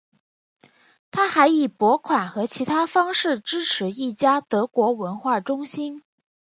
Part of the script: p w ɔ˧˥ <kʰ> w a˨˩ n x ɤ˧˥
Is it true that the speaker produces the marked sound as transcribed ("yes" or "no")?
yes